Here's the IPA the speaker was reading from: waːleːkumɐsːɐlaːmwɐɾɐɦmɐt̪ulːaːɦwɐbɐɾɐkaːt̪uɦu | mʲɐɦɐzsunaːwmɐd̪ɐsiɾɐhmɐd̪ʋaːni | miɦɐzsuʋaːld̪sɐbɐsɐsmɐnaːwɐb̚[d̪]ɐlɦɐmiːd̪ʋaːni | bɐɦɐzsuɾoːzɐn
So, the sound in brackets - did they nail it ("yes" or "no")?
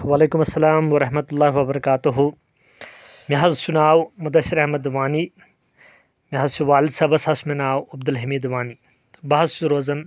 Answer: yes